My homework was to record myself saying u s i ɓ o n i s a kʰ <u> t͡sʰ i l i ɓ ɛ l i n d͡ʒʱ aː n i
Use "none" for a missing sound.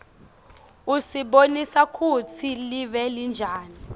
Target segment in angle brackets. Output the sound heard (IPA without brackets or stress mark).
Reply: u